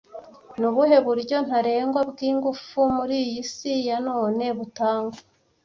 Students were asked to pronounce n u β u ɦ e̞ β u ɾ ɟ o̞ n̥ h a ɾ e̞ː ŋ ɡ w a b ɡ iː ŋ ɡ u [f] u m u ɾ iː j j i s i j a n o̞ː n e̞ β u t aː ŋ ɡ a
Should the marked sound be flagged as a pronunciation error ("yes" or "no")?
no